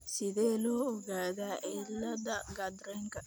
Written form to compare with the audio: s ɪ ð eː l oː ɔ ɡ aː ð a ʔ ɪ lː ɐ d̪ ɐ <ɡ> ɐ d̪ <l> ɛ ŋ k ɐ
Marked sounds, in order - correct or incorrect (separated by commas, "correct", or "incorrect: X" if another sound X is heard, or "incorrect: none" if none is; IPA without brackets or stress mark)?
correct, incorrect: ɾ